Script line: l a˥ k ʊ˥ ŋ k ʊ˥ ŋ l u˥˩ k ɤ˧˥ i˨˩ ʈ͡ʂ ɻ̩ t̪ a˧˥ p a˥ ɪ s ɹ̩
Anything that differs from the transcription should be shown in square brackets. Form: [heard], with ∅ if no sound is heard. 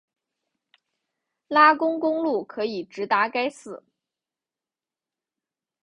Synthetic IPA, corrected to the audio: l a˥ k ʊ˥ ŋ k ʊ˥ ŋ l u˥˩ [kʰ] ɤ˧˥ i˨˩ ʈ͡ʂ ɻ̩ t̪ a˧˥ [k] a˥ ɪ s ɹ̩